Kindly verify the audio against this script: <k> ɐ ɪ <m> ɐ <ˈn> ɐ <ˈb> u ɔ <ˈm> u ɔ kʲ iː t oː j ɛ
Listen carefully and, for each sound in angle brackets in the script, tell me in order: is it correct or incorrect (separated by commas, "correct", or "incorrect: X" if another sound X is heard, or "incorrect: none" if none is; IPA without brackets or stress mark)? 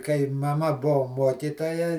correct, correct, incorrect: m, correct, correct